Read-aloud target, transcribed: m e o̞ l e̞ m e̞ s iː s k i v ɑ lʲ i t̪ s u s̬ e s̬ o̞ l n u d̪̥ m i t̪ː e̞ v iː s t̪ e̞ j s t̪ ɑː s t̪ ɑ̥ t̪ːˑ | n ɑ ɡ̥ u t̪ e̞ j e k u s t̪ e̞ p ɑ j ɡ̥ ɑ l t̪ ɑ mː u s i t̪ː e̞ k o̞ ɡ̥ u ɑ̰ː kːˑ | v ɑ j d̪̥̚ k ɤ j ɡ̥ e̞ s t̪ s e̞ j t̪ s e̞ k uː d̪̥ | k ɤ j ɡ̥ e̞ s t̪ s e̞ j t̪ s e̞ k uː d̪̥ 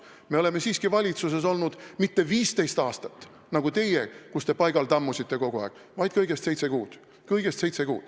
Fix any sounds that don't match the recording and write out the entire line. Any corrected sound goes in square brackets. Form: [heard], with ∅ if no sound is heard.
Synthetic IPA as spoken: m e o̞ l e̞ m e̞ s iː s k i v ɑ lʲ i t̪ s u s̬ e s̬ o̞ l n u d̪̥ m i t̪ː e̞ v iː s t̪ e̞ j s t̪ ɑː s t̪ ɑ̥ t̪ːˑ | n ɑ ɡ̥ u t̪ e̞ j e k u s t̪ e̞ p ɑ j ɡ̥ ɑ l t̪ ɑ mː u s i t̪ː e̞ k o̞ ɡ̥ u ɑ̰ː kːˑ | v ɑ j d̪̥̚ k ɤ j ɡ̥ e̞ s t̪ s e̞ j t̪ s e̞ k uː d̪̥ | k ɤ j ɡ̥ e̞ s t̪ s e̞ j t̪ s e̞ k uː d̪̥